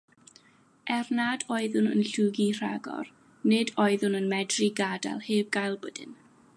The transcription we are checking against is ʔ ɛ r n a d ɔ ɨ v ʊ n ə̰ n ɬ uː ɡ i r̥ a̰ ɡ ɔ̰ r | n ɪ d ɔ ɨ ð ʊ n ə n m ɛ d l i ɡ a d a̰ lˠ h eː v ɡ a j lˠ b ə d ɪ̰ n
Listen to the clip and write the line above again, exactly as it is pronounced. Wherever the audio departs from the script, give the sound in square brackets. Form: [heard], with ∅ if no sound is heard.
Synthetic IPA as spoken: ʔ ɛ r n a d ɔ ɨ [ð] ʊ n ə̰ n ɬ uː ɡ i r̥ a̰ ɡ ɔ̰ r | n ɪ d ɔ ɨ ð ʊ n ə n m ɛ d [r] i ɡ a d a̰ lˠ h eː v ɡ a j lˠ b ə d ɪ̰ n